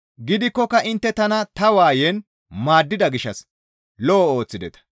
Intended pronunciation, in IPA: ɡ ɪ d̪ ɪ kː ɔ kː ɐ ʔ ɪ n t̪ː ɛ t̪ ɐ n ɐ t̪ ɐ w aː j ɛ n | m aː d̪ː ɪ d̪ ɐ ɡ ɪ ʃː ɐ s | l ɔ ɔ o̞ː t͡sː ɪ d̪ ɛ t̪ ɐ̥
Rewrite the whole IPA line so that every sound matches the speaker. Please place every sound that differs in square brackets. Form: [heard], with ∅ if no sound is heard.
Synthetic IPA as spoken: ɡ ɪ d̪ ɪ kː ɔ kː ɐ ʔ ɪ n t̪ː ɛ t̪ ɐ n ɐ t̪ ɐ w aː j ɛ n | m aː d̪ː ɪ d̪ ɐ ɡ ɪ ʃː ɐ s | l ɔ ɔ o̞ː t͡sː ɪ d̪ ɛ t̪ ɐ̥